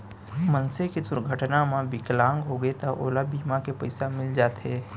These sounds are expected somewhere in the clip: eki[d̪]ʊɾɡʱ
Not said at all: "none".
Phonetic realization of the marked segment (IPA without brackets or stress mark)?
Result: d̪